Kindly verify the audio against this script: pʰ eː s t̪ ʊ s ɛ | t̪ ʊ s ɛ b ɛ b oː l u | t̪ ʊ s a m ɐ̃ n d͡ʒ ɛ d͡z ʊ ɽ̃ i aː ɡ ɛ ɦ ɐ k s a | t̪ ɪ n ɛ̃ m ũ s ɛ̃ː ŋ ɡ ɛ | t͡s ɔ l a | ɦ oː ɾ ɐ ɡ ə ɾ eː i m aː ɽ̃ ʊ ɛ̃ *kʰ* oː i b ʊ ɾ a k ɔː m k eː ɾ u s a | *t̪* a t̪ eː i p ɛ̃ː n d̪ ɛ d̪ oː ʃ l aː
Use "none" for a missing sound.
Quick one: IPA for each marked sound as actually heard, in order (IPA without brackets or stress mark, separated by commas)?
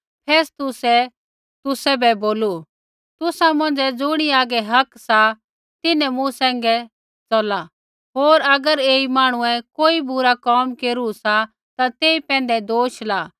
k, t̪